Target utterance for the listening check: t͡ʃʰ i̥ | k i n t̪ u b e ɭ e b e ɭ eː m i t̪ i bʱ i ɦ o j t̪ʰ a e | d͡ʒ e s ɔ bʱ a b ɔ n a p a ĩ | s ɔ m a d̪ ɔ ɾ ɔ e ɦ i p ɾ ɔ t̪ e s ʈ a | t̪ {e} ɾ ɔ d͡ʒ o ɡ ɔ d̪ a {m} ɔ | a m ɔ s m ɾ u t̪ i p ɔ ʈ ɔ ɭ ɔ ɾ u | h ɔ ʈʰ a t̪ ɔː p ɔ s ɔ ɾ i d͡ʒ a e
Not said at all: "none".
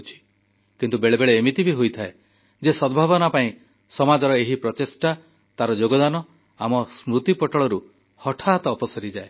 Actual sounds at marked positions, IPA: a, n

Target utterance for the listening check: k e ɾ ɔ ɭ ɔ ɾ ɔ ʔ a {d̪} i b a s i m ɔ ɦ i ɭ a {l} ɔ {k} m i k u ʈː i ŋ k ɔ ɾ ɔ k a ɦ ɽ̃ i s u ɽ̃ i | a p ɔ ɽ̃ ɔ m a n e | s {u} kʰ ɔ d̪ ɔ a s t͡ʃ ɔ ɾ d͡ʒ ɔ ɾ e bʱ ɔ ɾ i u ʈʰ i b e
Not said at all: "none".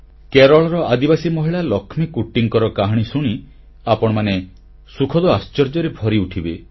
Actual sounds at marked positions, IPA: d̪, l, kʰ, u

